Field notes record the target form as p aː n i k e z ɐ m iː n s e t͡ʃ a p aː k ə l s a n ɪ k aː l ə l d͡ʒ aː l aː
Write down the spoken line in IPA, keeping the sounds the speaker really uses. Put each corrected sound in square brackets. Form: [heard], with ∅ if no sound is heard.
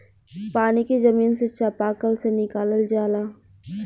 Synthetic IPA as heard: p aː n i k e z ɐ m iː n s e t͡ʃ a p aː k ə l s [e] n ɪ k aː l ə l d͡ʒ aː l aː